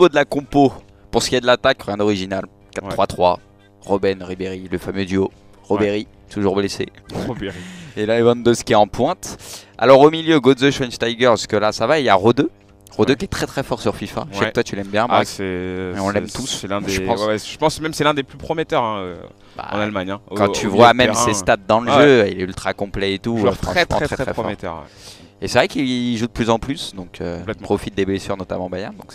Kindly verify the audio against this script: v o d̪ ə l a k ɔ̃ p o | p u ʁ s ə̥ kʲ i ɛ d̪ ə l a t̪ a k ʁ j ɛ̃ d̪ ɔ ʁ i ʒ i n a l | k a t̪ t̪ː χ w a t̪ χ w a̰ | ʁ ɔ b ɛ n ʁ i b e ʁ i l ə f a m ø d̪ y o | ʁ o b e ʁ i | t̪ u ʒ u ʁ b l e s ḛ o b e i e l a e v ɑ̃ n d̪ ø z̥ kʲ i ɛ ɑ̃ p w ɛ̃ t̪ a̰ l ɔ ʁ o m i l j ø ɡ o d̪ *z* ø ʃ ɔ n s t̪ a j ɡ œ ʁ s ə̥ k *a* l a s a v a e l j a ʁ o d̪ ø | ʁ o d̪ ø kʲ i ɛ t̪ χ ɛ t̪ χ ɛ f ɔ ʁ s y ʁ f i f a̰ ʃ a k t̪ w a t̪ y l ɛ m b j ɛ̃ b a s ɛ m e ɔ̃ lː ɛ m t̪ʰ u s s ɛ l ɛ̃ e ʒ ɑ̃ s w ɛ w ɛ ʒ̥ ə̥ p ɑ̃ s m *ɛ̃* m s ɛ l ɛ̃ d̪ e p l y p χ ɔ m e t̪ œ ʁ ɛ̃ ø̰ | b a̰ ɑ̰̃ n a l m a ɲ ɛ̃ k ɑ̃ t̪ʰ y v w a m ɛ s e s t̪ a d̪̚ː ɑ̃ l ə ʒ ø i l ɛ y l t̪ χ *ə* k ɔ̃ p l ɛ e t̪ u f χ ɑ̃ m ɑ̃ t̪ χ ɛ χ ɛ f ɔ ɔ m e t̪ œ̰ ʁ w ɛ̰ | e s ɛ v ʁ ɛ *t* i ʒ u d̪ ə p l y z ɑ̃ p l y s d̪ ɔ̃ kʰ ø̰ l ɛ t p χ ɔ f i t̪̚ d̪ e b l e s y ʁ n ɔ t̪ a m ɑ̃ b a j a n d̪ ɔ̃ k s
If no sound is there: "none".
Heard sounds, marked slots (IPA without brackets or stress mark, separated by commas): z, ə, ɛ, a, k